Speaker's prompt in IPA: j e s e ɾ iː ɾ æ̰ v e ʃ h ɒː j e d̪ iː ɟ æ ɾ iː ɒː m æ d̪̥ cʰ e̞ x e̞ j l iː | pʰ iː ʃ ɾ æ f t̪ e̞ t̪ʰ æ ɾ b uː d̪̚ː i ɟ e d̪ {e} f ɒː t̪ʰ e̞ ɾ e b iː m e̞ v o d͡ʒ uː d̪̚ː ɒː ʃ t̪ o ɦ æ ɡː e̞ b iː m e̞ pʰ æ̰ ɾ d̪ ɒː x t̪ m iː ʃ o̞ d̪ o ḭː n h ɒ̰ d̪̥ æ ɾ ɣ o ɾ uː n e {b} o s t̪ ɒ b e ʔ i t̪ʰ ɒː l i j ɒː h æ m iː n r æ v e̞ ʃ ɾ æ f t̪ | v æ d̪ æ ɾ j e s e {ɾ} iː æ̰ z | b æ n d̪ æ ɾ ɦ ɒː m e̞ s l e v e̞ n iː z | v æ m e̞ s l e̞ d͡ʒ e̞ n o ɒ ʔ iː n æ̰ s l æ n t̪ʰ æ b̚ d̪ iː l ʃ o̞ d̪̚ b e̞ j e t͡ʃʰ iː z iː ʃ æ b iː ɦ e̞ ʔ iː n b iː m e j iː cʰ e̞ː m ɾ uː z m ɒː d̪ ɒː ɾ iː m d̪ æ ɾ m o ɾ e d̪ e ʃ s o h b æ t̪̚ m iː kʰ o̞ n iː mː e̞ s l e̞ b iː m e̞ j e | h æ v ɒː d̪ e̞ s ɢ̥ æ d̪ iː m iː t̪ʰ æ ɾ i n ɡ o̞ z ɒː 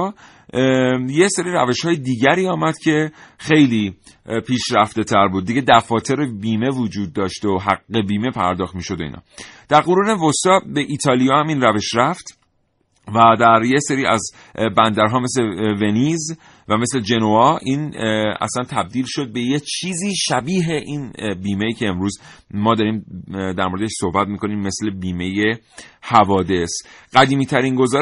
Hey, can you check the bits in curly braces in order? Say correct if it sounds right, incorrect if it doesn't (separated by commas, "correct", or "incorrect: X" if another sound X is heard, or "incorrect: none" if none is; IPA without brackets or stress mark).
incorrect: æ, incorrect: v, correct